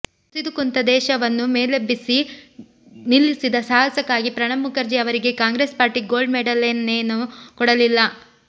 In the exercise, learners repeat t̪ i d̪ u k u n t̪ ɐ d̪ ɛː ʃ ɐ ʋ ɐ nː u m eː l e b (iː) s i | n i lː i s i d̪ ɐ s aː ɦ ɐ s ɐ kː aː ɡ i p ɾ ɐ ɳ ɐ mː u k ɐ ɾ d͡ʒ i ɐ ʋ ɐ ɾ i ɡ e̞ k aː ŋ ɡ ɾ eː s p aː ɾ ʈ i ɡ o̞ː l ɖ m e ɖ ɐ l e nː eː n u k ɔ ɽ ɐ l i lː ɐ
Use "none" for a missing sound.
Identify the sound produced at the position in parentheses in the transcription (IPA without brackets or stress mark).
i